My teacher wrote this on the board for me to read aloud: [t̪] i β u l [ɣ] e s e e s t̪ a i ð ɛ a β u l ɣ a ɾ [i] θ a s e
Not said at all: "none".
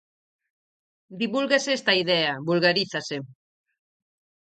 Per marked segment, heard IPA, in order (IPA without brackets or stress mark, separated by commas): d̪, ɣ, i